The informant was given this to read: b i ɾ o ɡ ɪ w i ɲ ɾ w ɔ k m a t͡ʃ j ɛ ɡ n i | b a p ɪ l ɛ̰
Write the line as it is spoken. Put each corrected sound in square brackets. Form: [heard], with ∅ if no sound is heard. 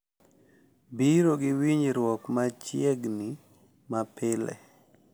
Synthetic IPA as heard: b i ɾ o ɡ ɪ w i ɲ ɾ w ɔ k m a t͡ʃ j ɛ ɡ n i | [m] a p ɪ l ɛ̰